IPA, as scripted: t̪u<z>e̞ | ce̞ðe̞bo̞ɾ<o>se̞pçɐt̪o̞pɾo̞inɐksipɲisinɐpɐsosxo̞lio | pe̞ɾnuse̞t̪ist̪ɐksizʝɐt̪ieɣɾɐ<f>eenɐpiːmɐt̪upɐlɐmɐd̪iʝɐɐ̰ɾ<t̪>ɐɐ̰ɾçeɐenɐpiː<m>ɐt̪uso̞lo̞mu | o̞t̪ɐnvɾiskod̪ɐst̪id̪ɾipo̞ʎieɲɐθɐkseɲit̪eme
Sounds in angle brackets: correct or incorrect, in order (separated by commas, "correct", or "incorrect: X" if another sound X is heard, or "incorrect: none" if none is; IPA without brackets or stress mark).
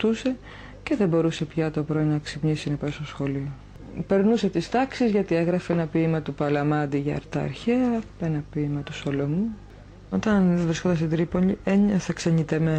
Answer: incorrect: s, incorrect: u, correct, correct, correct